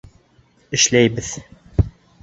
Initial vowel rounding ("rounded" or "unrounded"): unrounded